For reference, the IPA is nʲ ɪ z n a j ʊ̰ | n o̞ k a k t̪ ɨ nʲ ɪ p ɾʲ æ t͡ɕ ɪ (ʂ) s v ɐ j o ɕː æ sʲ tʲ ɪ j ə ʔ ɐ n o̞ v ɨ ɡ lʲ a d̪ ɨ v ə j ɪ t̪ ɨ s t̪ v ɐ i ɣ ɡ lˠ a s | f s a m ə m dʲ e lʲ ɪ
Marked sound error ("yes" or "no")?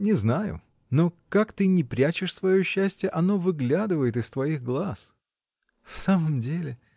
no